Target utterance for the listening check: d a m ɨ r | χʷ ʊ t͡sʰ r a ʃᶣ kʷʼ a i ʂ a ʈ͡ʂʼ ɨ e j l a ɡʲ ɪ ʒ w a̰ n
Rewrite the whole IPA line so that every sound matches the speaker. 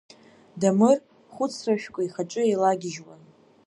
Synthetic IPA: d a m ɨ r | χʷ ʊ t͡sʰ r a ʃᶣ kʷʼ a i χ a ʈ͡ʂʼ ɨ e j l a ɡʲ ɪ ʒ w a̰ n